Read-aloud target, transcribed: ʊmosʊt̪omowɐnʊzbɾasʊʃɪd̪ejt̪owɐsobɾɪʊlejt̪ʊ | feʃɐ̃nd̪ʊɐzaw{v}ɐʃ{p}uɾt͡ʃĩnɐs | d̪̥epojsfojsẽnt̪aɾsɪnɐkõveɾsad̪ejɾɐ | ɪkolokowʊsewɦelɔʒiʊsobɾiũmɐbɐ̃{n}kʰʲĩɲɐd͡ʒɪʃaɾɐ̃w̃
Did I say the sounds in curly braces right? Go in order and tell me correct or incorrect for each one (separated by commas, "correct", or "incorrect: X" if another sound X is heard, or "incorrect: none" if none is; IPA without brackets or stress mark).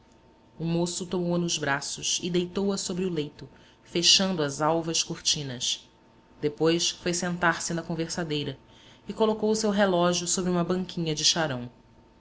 correct, incorrect: k, incorrect: ŋ